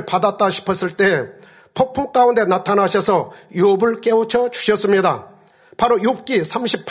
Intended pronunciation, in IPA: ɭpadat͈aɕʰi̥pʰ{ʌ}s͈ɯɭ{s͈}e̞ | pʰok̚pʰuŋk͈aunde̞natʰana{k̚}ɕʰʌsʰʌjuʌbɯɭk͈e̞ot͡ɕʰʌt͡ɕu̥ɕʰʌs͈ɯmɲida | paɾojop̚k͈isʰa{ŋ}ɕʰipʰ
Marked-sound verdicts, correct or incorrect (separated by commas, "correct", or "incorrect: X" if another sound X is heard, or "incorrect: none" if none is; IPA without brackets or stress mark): correct, incorrect: t͈, incorrect: none, incorrect: m